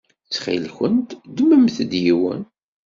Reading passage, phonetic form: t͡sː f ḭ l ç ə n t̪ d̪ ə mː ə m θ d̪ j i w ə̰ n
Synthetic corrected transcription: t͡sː χ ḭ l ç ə n t̪ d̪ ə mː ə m θ d̪ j i w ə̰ n